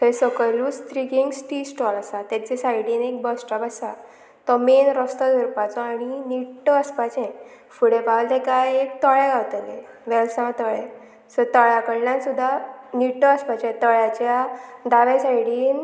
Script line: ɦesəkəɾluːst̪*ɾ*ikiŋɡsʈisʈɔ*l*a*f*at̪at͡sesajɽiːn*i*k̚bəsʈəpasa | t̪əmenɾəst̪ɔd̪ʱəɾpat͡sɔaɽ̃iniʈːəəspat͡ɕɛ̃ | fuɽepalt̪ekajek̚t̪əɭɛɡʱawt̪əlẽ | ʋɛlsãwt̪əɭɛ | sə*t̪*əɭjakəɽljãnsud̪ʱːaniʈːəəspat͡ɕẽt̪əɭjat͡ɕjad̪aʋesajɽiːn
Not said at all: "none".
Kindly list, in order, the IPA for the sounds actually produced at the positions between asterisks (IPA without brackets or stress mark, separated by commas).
ɾ, l, s, e, t̪